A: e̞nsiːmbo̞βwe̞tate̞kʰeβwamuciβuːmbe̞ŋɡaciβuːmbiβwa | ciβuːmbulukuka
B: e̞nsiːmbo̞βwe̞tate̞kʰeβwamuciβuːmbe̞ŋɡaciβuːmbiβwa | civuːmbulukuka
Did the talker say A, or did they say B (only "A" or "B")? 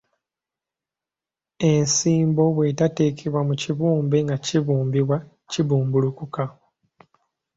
A